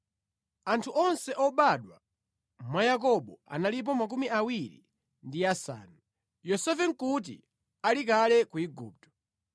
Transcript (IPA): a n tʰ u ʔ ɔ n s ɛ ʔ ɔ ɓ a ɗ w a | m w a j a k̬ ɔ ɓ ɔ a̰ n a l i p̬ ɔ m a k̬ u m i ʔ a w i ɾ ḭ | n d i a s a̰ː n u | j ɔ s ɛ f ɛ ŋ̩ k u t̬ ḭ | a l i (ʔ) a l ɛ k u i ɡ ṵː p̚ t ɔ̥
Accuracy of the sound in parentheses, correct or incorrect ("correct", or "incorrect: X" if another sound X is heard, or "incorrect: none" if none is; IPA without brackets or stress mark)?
incorrect: k